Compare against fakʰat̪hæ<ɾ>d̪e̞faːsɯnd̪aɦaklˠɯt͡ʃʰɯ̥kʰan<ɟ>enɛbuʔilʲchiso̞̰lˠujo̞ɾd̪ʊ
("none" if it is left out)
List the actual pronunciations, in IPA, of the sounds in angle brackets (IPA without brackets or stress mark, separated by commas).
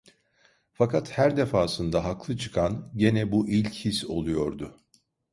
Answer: ɾ, ɟ